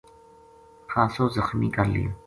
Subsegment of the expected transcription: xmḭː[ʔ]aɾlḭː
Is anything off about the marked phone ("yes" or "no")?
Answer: yes